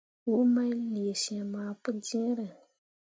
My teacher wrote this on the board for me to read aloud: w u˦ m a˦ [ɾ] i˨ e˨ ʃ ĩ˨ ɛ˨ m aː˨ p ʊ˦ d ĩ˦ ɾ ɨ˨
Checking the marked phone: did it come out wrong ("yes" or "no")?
yes